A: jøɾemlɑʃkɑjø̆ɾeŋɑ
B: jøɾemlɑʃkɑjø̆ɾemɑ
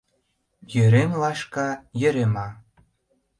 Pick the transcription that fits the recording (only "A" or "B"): B